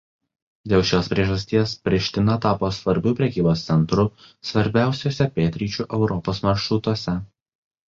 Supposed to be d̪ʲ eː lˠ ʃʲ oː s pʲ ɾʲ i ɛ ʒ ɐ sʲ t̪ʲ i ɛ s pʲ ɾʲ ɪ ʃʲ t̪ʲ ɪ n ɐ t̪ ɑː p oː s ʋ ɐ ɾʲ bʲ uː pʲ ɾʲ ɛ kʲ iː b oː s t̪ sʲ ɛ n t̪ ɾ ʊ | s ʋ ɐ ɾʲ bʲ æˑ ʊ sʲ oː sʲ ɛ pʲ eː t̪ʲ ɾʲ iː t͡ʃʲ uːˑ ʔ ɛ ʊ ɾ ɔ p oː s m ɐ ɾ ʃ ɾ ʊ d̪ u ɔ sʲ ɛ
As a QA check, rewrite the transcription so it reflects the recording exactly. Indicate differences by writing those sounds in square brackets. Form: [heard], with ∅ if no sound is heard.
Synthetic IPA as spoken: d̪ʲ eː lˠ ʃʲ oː s pʲ ɾʲ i ɛ ʒ ɐ sʲ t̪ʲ i ɛ s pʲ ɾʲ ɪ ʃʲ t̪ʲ ɪ n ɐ t̪ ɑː p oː s ʋ ɐ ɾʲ bʲ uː pʲ ɾʲ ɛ kʲ iː b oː s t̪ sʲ ɛ n t̪ ɾ ʊ | s ʋ ɐ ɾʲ bʲ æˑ ʊ sʲ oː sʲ ɛ pʲ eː t̪ʲ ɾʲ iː t͡ʃʲ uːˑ ʔ ɛ ʊ ɾ ɔ p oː s m ɐ ɾ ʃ ɾ ʊ [t̪] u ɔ sʲ ɛ